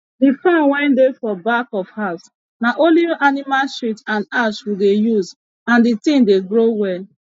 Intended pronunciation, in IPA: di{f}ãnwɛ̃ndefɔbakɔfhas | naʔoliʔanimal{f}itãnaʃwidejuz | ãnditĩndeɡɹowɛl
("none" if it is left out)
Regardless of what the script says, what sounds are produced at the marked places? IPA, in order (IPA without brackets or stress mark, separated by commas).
f, ʃ